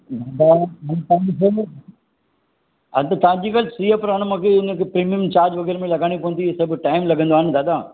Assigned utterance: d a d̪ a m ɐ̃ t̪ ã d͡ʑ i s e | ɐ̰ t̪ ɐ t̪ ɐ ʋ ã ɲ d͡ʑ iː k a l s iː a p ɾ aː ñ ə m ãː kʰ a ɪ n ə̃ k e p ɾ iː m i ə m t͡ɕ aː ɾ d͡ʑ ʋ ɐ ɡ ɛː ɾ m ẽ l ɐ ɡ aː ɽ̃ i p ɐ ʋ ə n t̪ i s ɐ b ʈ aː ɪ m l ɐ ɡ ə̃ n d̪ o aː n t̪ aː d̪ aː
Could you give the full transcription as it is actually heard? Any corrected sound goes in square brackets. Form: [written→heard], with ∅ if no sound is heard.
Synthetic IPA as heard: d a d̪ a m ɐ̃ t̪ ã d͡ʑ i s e | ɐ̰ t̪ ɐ t̪ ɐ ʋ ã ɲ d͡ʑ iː k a l s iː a p ɾ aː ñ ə m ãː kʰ [a→e] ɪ n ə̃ k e p ɾ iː m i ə m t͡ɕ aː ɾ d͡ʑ ʋ ɐ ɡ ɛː ɾ m ẽ l ɐ ɡ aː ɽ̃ i p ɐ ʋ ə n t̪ i s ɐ b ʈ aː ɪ m l ɐ ɡ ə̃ n d̪ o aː n [t̪→d̪] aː d̪ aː